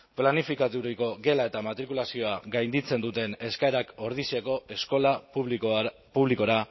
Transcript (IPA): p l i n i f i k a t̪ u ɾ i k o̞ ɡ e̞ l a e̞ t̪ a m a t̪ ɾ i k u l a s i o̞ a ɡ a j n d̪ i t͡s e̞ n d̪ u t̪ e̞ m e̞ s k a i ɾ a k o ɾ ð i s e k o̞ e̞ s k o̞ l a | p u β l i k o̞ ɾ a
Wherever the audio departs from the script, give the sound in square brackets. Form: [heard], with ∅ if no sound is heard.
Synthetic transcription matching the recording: p l [a] n i f i k a t̪ u ɾ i k o̞ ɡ e̞ l a e̞ t̪ a m a t̪ ɾ i k u l a s i o̞ a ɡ a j n d̪ i t͡s e̞ n d̪ u t̪ e̞ [n] e̞ s k a [e] ɾ a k o ɾ ð i s e k o̞ e̞ s k o̞ l a | p u β l i k o̞ ɾ a